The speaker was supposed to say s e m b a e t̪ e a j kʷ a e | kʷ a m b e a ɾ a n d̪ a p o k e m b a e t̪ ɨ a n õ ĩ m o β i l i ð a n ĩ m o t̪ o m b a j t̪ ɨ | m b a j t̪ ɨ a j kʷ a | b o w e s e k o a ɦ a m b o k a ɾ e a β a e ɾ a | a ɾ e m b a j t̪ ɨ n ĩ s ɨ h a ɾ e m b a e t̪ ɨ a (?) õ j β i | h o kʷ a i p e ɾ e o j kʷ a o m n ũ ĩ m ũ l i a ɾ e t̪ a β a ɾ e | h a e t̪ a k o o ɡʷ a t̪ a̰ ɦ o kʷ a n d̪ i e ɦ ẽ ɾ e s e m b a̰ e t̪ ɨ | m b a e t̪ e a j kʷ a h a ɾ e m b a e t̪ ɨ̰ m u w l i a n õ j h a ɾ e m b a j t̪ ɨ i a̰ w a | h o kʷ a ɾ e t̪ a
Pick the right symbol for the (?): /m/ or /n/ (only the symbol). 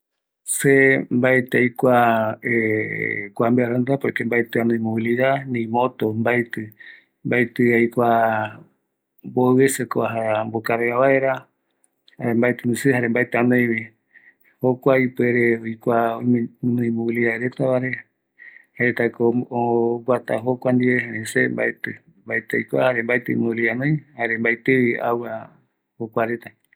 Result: n